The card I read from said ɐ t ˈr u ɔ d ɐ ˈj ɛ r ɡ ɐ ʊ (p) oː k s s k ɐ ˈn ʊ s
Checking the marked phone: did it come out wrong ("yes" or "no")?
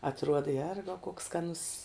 yes